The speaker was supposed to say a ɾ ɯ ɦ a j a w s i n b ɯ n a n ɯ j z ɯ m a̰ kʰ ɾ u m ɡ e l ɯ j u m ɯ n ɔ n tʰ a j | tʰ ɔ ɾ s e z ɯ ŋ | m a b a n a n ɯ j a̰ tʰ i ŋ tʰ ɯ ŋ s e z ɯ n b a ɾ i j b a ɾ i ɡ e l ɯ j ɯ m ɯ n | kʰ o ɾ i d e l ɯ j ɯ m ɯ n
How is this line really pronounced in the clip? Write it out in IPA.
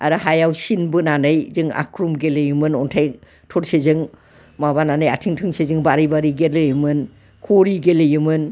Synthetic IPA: a ɾ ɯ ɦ a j a w s i n b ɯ n a n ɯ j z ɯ ŋ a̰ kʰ ɾ u m ɡ e l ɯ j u m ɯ n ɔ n tʰ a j | tʰ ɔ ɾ s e z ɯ ŋ | m a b a n a n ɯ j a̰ tʰ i ŋ tʰ ɯ ŋ s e z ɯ ŋ b a ɾ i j b a ɾ i ɡ e l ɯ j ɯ m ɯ n | kʰ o ɾ i ɡ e l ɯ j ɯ m ɯ n